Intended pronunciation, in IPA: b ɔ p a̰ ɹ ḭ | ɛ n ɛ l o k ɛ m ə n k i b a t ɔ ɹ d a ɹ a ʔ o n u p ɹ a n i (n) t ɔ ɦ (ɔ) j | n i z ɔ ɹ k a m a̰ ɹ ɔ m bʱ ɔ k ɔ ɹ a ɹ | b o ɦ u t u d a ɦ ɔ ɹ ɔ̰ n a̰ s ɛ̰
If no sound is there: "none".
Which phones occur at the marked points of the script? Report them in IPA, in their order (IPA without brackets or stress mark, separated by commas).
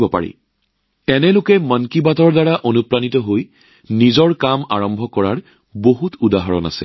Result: none, o